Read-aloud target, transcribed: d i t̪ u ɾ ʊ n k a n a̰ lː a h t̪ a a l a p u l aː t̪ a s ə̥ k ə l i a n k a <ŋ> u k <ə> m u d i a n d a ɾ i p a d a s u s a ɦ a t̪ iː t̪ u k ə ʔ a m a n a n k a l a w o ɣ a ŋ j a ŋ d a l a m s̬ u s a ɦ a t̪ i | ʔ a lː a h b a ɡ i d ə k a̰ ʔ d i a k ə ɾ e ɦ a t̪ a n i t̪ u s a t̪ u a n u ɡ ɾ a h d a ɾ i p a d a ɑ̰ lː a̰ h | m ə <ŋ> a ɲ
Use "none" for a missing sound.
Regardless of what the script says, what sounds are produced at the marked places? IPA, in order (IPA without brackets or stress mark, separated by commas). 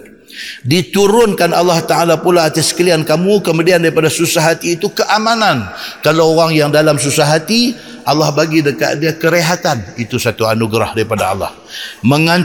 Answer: m, ə, ŋ